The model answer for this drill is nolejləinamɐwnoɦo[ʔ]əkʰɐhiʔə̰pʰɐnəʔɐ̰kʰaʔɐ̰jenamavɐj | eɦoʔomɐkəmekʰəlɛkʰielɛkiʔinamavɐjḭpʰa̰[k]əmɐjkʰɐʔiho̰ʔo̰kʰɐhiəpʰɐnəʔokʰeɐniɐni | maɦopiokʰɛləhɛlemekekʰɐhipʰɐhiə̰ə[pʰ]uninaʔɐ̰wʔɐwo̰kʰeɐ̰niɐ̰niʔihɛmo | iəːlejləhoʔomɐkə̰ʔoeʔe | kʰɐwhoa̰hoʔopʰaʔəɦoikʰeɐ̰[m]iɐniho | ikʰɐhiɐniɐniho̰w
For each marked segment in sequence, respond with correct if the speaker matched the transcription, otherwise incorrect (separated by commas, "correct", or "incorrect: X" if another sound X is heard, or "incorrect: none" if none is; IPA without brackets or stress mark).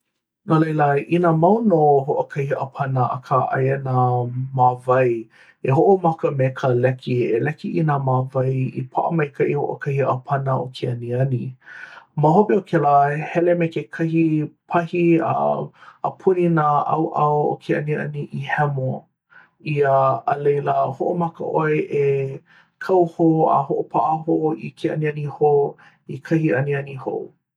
correct, incorrect: ʔ, correct, incorrect: n